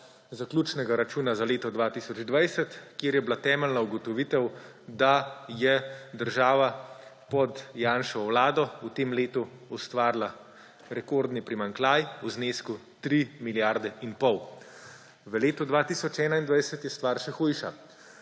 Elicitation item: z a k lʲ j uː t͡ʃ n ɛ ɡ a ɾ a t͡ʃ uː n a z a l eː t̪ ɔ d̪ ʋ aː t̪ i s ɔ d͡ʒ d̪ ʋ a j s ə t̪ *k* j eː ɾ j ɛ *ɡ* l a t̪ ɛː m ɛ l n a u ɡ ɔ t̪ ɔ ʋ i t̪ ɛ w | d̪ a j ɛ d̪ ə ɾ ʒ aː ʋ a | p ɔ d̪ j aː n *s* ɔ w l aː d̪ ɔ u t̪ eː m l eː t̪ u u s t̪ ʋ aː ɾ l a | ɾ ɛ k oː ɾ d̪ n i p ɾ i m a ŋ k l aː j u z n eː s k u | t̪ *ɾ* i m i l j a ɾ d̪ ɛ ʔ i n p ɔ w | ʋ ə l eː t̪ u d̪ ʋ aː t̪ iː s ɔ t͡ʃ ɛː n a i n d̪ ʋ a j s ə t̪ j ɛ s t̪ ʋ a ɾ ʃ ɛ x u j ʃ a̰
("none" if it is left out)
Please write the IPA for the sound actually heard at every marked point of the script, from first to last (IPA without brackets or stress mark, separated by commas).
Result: k, b, ʃ, ɾ